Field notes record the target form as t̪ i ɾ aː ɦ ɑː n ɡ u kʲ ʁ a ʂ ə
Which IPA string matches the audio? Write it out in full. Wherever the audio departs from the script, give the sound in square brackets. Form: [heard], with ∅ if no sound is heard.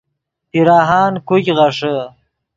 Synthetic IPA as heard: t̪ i ɾ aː ɦ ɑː n [k] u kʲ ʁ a ʂ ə